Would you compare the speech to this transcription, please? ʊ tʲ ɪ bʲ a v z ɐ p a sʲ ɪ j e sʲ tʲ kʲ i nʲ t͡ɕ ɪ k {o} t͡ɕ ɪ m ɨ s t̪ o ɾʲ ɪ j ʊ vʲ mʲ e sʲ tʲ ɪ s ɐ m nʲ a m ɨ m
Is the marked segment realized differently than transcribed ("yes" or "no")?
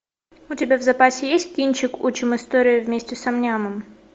yes